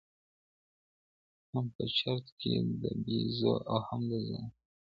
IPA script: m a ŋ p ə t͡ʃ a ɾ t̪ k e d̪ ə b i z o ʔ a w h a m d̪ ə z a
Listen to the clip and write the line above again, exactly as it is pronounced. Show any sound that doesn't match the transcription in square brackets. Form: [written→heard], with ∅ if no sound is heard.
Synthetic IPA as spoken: m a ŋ p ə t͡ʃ a ɾ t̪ k e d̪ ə b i z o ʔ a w h a m d̪ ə z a